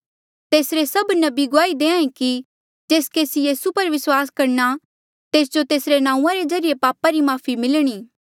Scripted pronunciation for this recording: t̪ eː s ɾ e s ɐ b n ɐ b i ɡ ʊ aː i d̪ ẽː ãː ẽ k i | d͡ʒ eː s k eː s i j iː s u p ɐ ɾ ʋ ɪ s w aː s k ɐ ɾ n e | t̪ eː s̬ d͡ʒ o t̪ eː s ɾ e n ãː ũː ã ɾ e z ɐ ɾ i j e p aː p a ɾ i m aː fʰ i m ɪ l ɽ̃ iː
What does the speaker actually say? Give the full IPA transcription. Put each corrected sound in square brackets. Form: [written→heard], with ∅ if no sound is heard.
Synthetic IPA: t̪ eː s ɾ e s ɐ b n ɐ b i ɡ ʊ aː i d̪ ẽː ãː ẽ k i | d͡ʒ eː s k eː s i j iː s u p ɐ ɾ ʋ ɪ s w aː s k ɐ ɾ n [e→a] | t̪ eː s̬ d͡ʒ o t̪ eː s ɾ e n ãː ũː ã ɾ e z ɐ ɾ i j e p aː p a ɾ i m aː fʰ i m ɪ l ɽ̃ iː